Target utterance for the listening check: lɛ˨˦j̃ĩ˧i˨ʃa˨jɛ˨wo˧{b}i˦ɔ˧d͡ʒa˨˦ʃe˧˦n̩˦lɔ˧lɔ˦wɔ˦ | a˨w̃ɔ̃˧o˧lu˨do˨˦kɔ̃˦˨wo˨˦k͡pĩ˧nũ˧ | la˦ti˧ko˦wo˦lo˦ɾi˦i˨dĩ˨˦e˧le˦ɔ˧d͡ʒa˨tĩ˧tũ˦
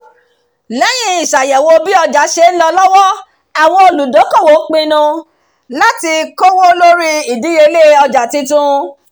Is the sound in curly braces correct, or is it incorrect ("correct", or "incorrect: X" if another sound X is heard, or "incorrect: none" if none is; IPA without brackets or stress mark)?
correct